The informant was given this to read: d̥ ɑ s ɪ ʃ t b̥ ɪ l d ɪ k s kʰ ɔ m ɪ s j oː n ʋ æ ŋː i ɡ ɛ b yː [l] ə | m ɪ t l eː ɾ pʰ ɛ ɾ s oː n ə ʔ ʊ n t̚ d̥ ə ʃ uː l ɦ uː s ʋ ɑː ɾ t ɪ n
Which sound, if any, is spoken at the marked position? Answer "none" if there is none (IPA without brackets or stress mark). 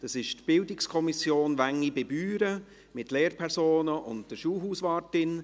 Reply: ɾ